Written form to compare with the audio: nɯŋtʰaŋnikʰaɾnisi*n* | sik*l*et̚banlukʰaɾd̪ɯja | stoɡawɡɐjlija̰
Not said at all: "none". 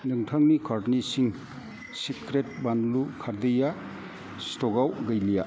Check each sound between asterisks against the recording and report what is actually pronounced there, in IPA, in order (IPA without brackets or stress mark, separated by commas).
ŋ, ɾ